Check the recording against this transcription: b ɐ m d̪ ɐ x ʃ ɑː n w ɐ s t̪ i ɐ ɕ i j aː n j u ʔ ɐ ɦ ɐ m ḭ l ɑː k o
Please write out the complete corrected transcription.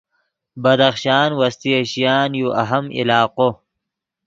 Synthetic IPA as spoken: b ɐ d̪ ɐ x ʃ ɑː n w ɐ s t̪ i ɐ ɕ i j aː n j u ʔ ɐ ɦ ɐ m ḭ l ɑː q o